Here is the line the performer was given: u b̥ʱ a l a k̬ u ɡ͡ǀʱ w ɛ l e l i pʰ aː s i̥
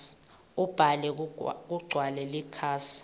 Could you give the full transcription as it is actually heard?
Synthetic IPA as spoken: u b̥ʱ a l ɛ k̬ u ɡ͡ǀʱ w a l ɛ l i kʰ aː s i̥